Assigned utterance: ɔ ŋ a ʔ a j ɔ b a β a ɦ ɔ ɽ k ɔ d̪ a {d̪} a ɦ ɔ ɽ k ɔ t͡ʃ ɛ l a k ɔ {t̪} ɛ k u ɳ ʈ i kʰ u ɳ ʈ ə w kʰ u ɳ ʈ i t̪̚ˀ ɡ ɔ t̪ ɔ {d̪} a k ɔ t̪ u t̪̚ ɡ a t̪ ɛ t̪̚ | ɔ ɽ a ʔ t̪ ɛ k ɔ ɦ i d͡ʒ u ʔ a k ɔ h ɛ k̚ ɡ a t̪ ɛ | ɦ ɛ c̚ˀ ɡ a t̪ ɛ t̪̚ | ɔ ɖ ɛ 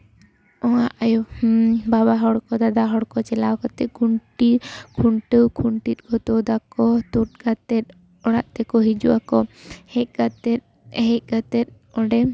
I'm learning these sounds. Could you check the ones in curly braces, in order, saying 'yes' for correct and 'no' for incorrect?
yes, yes, yes

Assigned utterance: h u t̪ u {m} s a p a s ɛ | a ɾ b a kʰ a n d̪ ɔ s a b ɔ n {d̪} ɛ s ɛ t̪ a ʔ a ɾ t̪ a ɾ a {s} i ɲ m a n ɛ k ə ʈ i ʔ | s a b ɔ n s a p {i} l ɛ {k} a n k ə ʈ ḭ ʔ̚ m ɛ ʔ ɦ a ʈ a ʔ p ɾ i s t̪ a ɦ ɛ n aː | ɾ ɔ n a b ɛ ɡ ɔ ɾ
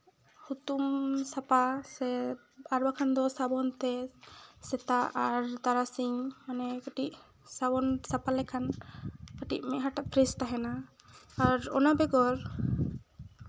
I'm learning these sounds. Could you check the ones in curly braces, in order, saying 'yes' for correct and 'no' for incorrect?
yes, no, yes, no, no

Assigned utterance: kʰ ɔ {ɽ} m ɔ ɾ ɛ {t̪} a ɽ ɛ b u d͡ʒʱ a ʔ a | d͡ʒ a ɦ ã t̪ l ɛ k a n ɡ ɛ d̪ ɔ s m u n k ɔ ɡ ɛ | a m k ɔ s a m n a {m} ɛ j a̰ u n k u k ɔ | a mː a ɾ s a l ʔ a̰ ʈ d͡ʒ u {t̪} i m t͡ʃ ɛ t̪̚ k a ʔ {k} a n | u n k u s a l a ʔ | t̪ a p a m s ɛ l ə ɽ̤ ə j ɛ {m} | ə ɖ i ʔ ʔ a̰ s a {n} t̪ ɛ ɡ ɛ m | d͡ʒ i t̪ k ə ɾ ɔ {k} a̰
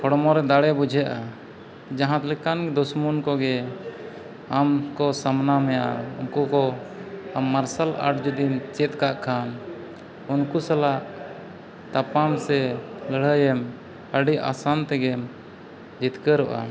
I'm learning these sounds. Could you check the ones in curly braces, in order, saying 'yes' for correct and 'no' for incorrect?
yes, no, yes, no, no, yes, yes, no

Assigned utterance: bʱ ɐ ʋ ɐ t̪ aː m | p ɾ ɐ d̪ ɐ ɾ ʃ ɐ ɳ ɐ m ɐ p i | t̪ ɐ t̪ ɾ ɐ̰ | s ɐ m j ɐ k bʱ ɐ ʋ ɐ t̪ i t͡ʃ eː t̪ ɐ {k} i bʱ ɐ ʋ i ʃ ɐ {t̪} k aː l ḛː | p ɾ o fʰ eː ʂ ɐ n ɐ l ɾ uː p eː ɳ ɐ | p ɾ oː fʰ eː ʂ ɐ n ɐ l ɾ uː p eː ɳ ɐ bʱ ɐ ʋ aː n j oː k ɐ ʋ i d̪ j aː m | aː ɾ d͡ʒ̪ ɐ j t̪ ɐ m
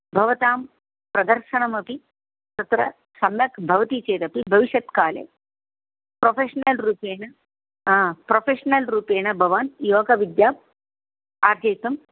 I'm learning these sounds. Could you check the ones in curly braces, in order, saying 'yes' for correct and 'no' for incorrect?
no, yes

